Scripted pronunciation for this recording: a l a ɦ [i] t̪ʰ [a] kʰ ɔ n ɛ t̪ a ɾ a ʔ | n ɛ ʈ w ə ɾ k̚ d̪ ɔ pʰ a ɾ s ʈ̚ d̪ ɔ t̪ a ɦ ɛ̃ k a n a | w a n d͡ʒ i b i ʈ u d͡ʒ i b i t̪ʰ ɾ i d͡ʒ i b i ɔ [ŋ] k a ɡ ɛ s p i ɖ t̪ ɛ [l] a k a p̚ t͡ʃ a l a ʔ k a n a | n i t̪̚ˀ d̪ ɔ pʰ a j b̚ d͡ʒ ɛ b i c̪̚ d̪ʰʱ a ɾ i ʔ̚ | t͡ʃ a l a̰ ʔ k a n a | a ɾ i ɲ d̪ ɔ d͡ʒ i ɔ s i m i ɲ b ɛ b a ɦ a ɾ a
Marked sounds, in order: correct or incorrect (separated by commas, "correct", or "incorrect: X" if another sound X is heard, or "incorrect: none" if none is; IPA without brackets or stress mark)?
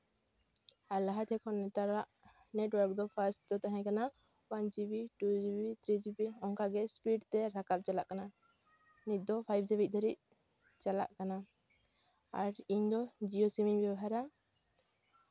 incorrect: a, incorrect: ɛ, correct, incorrect: ɾ